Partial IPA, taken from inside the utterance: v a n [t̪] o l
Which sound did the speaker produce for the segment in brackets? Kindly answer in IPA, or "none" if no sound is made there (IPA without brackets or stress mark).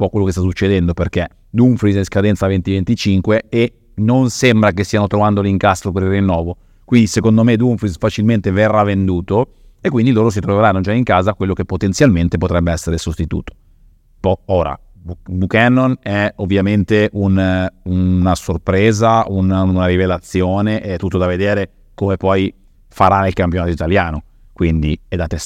d̪